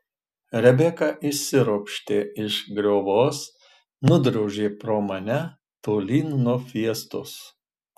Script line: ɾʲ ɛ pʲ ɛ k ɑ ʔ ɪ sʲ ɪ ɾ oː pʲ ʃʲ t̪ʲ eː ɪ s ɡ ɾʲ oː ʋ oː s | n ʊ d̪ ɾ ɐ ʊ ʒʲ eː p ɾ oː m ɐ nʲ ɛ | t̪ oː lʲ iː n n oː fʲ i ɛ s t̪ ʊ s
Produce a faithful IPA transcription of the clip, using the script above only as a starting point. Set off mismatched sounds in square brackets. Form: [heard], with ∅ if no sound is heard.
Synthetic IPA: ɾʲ ɛ [bʲ] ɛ k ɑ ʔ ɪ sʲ ɪ ɾ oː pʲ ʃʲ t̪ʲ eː ɪ [ʃ] ɡ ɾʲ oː ʋ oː s | n ʊ d̪ ɾ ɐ ʊ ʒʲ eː p ɾ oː m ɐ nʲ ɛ | t̪ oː lʲ iː n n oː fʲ i ɛ s t̪ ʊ s

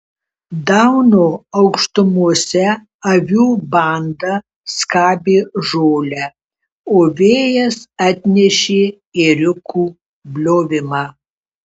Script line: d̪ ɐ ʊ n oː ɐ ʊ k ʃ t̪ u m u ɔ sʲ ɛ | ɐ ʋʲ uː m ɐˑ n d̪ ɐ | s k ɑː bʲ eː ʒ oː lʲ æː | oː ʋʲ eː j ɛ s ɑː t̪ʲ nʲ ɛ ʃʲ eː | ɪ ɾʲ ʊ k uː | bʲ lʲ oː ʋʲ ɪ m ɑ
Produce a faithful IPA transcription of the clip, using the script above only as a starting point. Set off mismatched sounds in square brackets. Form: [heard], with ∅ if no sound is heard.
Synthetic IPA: d̪ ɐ ʊ n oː ɐ ʊ k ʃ t̪ [ʊ] m u ɔ sʲ ɛ | ɐ ʋʲ uː [b] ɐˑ n d̪ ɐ | s k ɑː bʲ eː ʒ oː lʲ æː | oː ʋʲ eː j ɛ s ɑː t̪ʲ nʲ ɛ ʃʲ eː | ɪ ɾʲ ʊ k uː | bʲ lʲ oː ʋʲ ɪ m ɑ

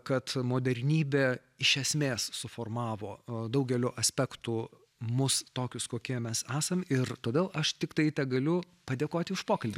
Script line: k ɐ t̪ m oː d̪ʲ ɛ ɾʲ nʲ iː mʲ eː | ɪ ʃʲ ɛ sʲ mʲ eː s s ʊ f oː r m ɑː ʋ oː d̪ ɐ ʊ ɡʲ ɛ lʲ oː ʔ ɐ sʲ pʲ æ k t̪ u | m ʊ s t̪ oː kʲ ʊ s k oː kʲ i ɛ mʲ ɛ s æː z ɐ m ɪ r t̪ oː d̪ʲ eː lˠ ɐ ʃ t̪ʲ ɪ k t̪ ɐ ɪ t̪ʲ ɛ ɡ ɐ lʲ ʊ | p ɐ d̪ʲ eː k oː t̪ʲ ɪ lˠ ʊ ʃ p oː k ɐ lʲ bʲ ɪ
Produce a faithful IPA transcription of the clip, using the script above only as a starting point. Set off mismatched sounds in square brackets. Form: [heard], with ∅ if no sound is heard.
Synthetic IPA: k ɐ t̪ m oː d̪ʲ ɛ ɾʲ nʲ iː [bʲ] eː | ɪ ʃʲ ɛ sʲ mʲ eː s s ʊ f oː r m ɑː ʋ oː d̪ ɐ ʊ ɡʲ ɛ lʲ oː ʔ ɐ sʲ pʲ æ k t̪ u | m ʊ s t̪ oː kʲ ʊ s k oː kʲ i ɛ mʲ ɛ s æː [s] ɐ m ɪ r t̪ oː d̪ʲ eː lˠ ɐ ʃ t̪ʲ ɪ k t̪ ɐ ɪ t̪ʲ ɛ ɡ ɐ lʲ ʊ | p ɐ d̪ʲ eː k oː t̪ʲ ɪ [∅] ʊ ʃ p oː k ɐ lʲ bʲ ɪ

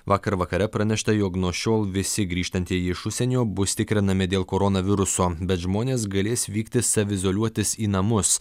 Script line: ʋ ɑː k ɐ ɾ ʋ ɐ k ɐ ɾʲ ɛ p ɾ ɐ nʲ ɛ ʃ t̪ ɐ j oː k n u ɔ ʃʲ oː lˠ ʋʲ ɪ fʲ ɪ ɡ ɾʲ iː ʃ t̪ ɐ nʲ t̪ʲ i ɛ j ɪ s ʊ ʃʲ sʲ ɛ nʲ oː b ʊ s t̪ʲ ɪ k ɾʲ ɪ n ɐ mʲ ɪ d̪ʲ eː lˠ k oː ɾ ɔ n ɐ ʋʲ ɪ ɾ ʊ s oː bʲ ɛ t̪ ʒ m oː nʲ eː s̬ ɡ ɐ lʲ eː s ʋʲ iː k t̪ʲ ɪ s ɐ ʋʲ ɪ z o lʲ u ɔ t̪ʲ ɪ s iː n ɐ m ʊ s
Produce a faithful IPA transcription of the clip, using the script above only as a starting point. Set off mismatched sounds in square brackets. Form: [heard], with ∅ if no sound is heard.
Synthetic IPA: ʋ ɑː k ɐ ɾ ʋ ɐ k ɐ ɾʲ ɛ p ɾ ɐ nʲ ɛ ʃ t̪ ɐ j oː k n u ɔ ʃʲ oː lˠ ʋʲ ɪ [sʲ] ɪ ɡ ɾʲ iː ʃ t̪ ɐ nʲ t̪ʲ i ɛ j ɪ [ʃ] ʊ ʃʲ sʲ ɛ nʲ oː b ʊ s t̪ʲ ɪ k ɾʲ ɪ n ɐ mʲ ɪ d̪ʲ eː lˠ k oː ɾ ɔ n ɐ ʋʲ ɪ ɾ ʊ s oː bʲ ɛ t̪ ʒ m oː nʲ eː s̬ ɡ ɐ lʲ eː s ʋʲ iː k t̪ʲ ɪ s ɐ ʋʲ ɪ z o lʲ u ɔ t̪ʲ ɪ s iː n ɐ m ʊ s

